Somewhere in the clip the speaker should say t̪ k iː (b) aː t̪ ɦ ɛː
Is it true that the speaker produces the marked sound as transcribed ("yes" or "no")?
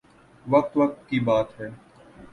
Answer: yes